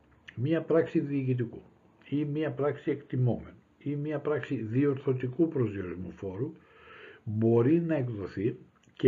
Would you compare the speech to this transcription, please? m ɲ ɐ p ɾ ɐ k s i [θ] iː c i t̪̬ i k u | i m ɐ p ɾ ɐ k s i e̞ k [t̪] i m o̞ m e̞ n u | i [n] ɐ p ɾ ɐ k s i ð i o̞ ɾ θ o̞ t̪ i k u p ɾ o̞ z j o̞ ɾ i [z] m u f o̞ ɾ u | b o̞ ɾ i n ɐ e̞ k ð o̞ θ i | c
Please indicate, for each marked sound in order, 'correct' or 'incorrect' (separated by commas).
incorrect, correct, incorrect, correct